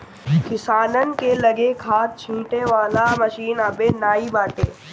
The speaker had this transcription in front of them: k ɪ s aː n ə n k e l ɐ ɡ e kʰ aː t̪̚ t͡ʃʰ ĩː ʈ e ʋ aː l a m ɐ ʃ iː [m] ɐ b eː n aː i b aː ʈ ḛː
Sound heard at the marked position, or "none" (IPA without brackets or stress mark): n